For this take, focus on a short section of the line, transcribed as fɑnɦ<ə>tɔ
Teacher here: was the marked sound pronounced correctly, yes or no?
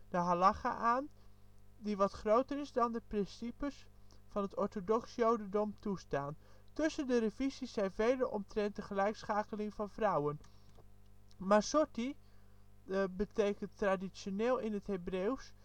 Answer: yes